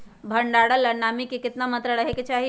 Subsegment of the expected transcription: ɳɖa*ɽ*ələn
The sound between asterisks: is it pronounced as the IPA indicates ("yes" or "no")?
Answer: yes